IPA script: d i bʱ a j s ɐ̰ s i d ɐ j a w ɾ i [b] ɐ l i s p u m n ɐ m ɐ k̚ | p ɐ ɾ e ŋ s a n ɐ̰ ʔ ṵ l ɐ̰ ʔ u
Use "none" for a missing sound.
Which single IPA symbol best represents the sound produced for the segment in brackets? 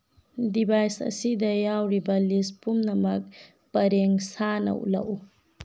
b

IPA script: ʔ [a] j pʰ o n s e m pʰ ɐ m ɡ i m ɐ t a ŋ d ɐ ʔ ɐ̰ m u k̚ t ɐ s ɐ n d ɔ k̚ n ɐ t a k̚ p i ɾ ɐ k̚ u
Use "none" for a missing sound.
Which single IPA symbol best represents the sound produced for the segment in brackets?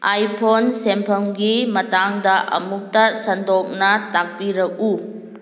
a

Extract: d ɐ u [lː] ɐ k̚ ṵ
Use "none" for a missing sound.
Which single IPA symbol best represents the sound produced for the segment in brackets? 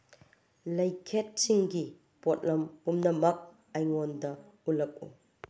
l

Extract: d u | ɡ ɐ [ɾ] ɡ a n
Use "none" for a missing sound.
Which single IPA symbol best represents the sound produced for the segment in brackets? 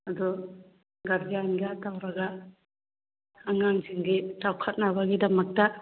ɾ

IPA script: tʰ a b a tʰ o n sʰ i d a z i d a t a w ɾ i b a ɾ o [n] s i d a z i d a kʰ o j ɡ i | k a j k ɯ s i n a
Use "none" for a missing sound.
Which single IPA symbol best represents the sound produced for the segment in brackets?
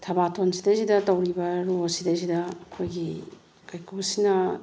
none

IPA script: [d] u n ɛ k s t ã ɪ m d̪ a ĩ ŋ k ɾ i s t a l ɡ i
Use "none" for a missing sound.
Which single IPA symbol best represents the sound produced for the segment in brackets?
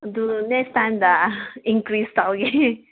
d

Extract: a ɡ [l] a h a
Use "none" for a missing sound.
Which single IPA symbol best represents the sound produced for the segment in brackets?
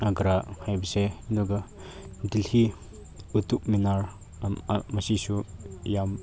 ɾ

